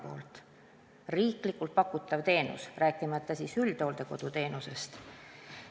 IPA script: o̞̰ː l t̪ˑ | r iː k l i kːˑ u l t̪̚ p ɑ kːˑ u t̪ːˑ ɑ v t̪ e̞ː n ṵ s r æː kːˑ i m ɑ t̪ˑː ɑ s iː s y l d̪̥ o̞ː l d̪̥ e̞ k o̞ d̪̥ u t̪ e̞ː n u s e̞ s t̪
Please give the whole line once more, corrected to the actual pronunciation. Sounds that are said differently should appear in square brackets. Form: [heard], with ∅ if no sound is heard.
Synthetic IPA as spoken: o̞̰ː l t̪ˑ | r iː k l i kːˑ u l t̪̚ p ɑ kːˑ u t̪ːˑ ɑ v t̪ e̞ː n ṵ s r æː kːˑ i m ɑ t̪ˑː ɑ s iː s y l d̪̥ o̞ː l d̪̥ e̞ k o̞ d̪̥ u t̪ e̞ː n u s e̞ s t̪